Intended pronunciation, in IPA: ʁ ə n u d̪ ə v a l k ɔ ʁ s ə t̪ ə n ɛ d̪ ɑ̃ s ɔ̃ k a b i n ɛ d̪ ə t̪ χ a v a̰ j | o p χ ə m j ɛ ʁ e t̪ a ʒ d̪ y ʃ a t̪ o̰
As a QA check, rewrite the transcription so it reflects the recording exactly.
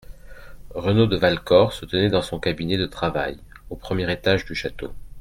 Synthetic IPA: ʁ ə n o d̪ ə v a l k ɔ ʁ s ə t̪ ə n ɛ d̪ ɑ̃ s ɔ̃ k a b i n ɛ d̪ ə t̪ χ a v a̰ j | o p χ ə m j ɛ ʁ e t̪ a ʒ d̪ y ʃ a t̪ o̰